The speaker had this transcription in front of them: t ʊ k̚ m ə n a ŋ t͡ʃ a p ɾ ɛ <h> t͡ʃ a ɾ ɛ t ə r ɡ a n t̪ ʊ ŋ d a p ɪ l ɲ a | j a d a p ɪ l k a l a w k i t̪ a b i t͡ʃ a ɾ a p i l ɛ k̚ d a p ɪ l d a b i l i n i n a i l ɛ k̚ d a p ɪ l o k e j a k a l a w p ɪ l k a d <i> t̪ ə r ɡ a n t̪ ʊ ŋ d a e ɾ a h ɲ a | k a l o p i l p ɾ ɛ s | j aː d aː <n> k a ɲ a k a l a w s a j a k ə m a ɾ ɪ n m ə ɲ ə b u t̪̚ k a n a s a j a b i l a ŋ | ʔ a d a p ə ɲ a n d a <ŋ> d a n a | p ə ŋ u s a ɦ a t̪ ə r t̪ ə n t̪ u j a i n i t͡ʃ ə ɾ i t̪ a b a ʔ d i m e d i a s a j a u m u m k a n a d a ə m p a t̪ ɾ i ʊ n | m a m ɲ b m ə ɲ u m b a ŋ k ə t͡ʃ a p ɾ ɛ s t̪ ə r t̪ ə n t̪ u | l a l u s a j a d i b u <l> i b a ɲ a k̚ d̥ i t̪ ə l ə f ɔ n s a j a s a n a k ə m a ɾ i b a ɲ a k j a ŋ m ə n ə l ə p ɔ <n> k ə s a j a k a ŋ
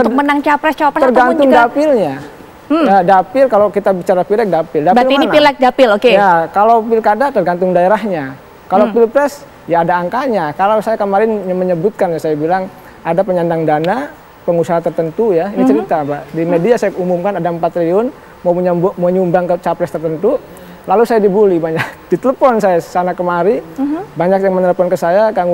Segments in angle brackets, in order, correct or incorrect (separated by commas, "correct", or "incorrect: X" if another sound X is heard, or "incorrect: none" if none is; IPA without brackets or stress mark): incorrect: s, incorrect: a, incorrect: ŋ, correct, correct, correct